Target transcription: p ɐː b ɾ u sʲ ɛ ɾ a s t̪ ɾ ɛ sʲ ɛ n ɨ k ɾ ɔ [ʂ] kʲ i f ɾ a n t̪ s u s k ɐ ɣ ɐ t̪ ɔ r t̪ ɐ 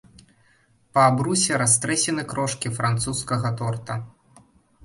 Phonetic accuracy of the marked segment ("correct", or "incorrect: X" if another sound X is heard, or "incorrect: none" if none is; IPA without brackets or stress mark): correct